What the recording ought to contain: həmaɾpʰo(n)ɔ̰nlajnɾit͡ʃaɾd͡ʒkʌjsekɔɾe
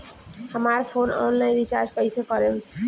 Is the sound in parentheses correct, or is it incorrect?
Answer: correct